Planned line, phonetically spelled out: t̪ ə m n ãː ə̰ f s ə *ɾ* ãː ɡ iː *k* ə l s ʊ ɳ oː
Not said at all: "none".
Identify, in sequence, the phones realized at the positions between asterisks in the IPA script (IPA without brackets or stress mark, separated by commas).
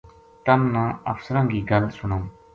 ɾ, ɡ